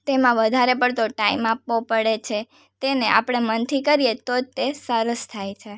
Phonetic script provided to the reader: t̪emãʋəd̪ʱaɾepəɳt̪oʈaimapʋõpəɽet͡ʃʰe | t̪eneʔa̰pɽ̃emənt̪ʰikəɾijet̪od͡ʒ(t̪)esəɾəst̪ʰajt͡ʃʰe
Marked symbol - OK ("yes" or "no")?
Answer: yes